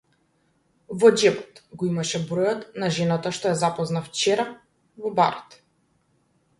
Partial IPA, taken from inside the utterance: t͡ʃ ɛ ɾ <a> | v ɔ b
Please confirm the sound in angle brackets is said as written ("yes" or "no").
yes